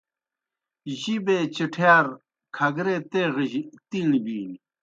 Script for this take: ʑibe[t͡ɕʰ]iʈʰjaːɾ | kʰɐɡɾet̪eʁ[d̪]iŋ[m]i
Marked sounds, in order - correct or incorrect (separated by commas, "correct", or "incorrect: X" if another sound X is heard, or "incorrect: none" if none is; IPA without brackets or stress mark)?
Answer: incorrect: t͡ɕ, incorrect: t̪, incorrect: b